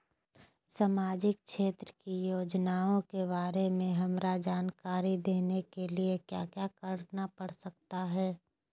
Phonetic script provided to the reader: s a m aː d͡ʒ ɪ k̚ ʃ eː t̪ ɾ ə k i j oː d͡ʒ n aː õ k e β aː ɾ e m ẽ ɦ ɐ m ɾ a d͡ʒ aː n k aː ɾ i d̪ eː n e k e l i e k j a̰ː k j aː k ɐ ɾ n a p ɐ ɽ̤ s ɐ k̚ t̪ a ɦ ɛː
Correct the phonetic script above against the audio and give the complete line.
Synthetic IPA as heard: s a m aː d͡ʒ ɪ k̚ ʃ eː t̪ ɾ ə k i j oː d͡ʒ n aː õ k e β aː ɾ e m ẽ ɦ ɐ m ɾ a d͡ʒ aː n k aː ɾ i d̪ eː n e k e l i e k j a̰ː k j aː k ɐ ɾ n a p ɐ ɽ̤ s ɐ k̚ t̪ a ɦ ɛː